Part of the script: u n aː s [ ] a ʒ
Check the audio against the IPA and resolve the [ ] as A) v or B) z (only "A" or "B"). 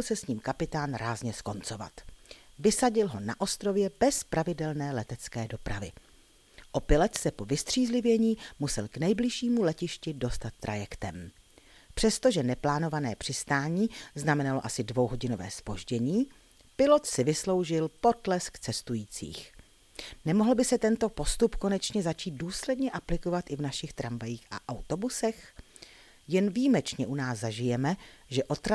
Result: B